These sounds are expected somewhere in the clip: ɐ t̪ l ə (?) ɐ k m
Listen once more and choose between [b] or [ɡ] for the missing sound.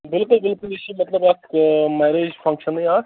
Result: b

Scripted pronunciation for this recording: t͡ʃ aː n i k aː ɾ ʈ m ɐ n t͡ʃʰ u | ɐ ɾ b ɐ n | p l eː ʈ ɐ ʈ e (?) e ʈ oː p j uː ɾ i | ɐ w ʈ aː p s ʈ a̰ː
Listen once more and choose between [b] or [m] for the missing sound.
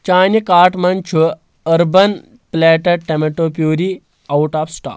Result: m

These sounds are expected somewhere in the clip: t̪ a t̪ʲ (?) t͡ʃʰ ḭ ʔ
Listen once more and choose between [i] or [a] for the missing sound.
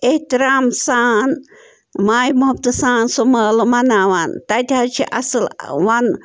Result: a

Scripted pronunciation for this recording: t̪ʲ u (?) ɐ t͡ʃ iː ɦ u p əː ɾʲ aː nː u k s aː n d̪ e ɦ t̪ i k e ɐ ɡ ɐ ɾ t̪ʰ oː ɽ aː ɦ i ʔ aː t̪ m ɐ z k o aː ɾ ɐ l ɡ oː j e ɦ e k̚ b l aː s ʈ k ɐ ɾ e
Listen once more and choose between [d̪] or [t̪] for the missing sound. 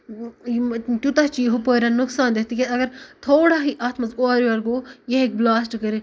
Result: t̪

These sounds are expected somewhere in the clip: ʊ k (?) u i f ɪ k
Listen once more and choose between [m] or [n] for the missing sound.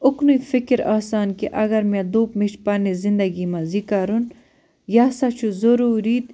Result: n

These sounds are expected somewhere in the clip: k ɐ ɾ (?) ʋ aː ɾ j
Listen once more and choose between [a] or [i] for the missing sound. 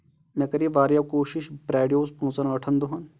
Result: i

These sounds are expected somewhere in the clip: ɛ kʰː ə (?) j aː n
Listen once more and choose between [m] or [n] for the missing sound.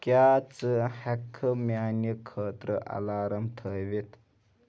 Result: m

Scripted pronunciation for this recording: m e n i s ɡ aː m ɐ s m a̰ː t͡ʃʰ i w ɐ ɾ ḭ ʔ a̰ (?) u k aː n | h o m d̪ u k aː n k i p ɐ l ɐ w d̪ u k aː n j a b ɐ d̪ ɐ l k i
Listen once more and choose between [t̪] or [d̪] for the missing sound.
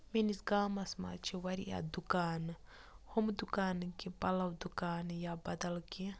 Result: d̪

